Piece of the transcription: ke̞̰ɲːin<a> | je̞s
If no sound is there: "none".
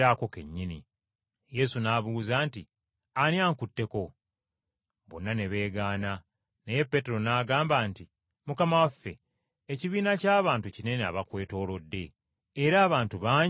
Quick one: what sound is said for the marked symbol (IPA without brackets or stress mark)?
i